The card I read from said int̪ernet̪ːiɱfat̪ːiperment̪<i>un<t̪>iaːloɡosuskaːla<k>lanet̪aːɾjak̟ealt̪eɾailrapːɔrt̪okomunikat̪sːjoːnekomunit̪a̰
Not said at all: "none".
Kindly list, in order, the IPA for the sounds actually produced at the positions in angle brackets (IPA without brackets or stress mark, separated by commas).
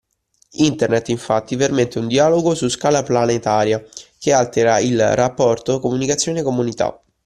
e, d̪, p